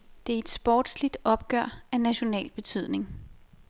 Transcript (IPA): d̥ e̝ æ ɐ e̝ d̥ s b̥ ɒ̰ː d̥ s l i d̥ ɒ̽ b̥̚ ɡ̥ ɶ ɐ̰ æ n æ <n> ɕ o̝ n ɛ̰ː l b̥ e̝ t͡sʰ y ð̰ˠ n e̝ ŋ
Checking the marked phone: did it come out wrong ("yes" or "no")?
yes